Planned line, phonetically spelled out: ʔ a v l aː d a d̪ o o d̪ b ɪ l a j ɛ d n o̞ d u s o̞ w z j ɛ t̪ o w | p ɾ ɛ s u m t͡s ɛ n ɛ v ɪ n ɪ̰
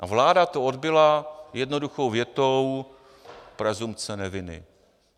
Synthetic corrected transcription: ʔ a v l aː d a t̪ o o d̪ b ɪ l a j ɛ d n o̞ d u x o̞ w v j ɛ t̪ o w | p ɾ ɛ z u m t͡s ɛ n ɛ v ɪ n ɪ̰